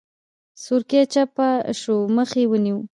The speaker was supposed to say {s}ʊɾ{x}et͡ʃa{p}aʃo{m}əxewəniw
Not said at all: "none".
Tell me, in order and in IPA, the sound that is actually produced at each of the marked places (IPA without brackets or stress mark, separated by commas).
s, k, p, m